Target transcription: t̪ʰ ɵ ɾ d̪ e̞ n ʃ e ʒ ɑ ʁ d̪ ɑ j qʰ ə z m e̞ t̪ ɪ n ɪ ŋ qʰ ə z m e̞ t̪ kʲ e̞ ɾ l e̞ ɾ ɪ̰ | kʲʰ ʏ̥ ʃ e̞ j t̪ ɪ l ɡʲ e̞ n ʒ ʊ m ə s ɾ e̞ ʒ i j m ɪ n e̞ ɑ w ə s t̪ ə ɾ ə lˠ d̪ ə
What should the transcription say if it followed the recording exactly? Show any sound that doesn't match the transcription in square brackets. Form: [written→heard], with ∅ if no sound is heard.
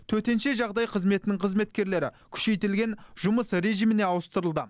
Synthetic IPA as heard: t̪ʰ ɵ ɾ [d̪→t̪] e̞ n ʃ e ʒ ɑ ʁ d̪ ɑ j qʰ ə z m e̞ t̪ ɪ n ɪ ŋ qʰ ə z m e̞ t̪ kʲ e̞ ɾ l e̞ ɾ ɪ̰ | kʲʰ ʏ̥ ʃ e̞ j t̪ ɪ l ɡʲ e̞ n ʒ ʊ m ə s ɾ e̞ ʒ i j m ɪ n e̞ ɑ w ə s t̪ ə ɾ ə lˠ d̪ ə